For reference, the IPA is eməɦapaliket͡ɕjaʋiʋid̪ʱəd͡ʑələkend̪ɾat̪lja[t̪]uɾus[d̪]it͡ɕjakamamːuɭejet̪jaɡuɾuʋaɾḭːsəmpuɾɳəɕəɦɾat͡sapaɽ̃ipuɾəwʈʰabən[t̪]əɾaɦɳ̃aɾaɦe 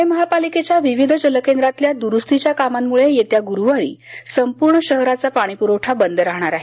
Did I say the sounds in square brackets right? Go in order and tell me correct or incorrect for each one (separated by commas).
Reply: incorrect, incorrect, incorrect